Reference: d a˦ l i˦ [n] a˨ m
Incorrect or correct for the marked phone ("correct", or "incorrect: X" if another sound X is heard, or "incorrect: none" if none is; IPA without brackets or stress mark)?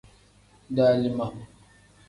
incorrect: m